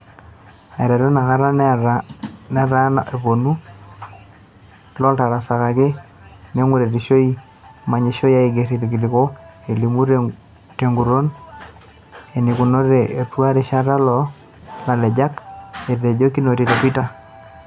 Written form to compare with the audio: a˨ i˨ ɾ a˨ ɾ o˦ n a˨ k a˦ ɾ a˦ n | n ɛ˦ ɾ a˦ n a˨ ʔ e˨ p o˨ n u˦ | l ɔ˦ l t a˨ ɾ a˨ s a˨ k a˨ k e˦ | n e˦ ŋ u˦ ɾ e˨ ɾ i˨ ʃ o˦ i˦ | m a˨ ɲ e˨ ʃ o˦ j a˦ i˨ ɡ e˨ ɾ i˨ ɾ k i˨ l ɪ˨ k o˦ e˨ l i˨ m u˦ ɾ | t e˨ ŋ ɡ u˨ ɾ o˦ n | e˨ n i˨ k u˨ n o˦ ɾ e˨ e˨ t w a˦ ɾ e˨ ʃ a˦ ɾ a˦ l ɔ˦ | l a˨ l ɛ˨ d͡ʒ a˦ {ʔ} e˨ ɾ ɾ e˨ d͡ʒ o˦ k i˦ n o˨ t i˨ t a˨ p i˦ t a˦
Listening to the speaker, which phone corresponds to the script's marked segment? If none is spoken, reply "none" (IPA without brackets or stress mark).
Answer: k